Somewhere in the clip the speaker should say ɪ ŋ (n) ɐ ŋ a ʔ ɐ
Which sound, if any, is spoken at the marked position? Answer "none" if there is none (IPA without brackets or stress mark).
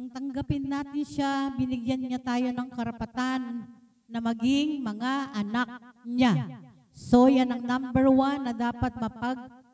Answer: m